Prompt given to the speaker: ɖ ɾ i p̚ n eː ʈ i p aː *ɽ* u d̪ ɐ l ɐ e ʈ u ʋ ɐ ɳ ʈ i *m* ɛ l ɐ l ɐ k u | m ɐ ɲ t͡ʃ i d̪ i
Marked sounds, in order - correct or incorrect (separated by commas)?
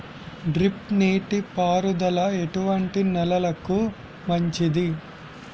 incorrect, incorrect